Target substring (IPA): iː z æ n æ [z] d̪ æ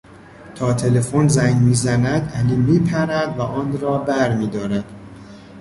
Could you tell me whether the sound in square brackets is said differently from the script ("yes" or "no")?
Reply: yes